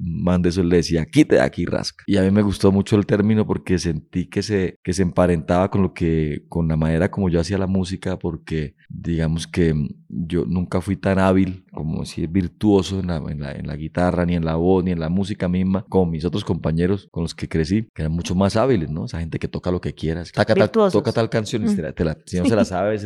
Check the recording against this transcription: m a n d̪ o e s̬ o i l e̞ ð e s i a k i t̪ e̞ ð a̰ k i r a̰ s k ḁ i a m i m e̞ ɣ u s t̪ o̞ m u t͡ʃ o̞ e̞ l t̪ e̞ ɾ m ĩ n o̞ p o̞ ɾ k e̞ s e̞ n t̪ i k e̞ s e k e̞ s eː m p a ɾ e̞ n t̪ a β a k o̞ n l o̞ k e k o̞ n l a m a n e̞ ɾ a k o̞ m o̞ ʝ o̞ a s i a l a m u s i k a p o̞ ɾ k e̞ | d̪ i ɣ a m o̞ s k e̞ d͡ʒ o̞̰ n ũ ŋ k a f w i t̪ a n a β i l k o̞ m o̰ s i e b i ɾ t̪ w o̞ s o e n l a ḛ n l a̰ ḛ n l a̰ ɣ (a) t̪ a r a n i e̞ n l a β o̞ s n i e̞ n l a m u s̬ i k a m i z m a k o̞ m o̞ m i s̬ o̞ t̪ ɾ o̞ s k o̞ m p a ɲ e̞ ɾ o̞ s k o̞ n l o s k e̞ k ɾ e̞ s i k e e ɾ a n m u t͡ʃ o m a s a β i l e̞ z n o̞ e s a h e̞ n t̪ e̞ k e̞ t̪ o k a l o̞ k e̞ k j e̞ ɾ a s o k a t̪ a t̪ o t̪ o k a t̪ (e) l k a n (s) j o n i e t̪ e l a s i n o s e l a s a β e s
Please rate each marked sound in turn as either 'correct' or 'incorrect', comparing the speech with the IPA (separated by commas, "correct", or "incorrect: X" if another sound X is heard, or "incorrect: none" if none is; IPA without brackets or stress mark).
incorrect: i, incorrect: a, correct